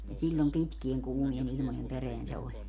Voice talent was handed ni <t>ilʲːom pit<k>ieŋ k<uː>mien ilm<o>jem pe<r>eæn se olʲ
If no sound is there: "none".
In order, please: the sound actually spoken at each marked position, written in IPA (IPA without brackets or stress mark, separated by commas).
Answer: s, k, uː, o, r